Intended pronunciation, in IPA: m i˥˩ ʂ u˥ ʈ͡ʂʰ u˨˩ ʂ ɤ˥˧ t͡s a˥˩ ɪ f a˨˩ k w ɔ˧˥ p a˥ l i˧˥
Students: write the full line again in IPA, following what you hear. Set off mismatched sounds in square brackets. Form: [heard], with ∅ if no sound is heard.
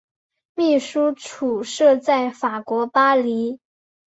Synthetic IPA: m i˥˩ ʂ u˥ ʈ͡ʂʰ u˨˩ ʂ ɤ˥˧ t͡s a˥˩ ɪ f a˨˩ k w ɔ˧˥ p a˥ l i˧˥